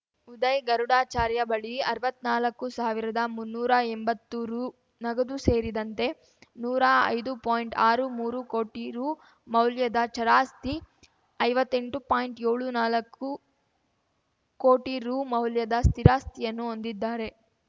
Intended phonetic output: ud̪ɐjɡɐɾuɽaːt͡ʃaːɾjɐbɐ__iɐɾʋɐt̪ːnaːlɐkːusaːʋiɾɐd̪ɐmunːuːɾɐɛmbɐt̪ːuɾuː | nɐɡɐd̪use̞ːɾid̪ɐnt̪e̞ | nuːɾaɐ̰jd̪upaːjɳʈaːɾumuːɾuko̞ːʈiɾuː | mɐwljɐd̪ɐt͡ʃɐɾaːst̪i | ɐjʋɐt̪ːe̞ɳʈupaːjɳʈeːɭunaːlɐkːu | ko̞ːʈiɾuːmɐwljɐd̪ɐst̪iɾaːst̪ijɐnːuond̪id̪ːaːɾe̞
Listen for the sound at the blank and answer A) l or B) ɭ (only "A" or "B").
B